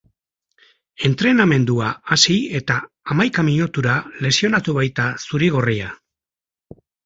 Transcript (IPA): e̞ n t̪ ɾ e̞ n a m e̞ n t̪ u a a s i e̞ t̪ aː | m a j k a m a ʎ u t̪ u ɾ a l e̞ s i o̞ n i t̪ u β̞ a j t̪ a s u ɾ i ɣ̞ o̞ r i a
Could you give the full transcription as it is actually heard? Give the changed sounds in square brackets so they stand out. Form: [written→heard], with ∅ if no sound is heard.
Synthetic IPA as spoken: e̞ n t̪ ɾ e̞ n a m e̞ n [t̪→d̪] u a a s i e̞ t̪ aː | m a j k a m [a→i] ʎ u t̪ u ɾ a l e̞ s i o̞ n [i→a] t̪ u β̞ a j t̪ a s u ɾ i ɣ̞ o̞ r i a